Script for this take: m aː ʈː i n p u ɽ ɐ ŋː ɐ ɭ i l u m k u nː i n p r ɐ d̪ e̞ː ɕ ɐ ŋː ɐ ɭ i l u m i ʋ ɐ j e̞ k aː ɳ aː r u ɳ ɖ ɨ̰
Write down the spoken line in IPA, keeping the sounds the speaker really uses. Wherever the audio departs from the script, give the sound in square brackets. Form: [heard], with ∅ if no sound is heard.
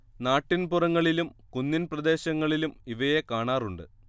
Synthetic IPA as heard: [n] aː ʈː i n p u [r] ɐ ŋː ɐ ɭ i l u m k u nː i n p r ɐ d̪ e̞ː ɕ ɐ ŋː ɐ ɭ i l u m i ʋ ɐ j e̞ k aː ɳ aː r u ɳ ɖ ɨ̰